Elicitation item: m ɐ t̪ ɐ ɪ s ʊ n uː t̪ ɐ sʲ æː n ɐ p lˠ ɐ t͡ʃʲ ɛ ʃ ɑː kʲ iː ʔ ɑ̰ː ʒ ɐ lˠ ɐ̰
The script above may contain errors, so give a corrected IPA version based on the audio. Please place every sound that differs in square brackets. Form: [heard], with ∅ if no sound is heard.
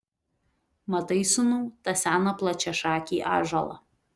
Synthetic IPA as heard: m ɐ t̪ ɐ ɪ s ʊ n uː t̪ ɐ sʲ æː n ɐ p lˠ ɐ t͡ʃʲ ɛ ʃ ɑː kʲ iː ʔ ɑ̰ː ʒ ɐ lˠ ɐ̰